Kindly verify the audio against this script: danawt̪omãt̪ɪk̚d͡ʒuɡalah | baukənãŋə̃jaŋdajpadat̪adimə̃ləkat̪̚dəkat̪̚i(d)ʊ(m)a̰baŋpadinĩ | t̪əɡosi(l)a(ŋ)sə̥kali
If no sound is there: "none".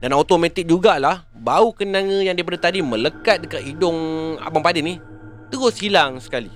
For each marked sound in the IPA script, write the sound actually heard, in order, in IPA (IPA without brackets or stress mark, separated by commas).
d, ŋ, l, ŋ